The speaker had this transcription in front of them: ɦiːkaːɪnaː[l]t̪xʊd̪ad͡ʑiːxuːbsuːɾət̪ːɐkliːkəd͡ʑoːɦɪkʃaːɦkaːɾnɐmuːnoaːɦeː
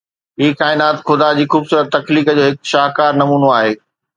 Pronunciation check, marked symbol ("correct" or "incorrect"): incorrect